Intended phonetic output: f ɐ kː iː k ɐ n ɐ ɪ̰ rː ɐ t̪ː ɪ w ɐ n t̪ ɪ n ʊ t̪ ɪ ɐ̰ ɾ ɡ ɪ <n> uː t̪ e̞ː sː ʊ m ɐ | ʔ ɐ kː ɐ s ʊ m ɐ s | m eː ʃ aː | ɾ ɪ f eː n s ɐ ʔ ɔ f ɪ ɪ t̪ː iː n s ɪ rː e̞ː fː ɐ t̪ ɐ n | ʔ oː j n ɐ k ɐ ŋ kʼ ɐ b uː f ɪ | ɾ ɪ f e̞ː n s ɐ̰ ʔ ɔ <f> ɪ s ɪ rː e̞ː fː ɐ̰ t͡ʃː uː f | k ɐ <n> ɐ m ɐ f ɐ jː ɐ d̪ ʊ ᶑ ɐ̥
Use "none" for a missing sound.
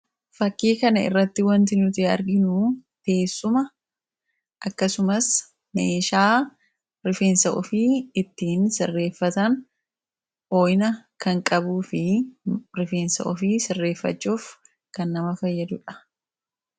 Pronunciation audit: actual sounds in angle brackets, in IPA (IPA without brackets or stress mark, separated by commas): n, f, nː